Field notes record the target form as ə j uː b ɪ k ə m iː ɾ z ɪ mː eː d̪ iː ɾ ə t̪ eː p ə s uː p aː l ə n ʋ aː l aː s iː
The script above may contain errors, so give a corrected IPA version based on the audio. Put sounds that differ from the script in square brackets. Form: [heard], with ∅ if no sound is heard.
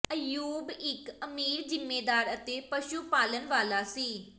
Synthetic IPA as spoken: ə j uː b ɪ k ə m iː ɾ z ɪ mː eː d̪ [aː] ɾ ə t̪ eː p ə [ʃ] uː p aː l ə n ʋ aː l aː s iː

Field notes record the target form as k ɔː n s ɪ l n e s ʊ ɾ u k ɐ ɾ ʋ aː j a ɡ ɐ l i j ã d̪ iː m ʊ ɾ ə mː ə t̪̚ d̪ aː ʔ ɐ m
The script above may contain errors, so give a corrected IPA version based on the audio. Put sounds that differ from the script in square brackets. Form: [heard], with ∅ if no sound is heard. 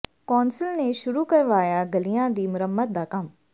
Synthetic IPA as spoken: k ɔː n s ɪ l n e [ʃ] ʊ ɾ u k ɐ ɾ ʋ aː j a ɡ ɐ l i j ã d̪ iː m ʊ ɾ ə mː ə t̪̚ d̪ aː [k] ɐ m

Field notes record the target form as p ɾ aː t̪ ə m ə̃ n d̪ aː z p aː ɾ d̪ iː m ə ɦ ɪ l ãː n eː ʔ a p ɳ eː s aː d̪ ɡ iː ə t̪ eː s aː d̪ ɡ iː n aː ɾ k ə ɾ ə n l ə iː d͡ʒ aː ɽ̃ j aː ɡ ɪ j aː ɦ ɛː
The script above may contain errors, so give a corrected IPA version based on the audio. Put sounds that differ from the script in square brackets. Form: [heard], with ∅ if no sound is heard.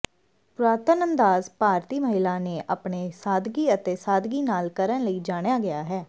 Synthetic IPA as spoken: p ɾ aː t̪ ə [n] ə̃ n d̪ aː z p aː ɾ [t̪] iː m ə ɦ ɪ l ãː n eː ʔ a p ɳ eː s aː d̪ ɡ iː ə t̪ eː s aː d̪ ɡ iː n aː [l] k ə ɾ ə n l ə iː d͡ʒ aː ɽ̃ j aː ɡ ɪ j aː ɦ ɛː

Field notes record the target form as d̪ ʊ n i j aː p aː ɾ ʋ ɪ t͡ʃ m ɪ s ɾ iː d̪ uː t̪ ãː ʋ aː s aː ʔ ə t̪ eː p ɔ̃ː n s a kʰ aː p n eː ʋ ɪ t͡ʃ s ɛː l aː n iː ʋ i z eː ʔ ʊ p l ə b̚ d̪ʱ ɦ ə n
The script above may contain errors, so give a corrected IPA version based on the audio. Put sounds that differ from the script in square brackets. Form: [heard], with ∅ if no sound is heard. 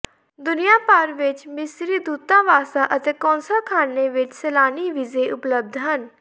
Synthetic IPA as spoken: d̪ ʊ n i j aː p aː ɾ ʋ ɪ t͡ʃ m ɪ s ɾ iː d̪ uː t̪ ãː ʋ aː s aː ʔ ə t̪ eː [k] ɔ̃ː n s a kʰ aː [∅] n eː ʋ ɪ t͡ʃ s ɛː l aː n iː ʋ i z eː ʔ ʊ p l ə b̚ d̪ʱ ɦ ə n

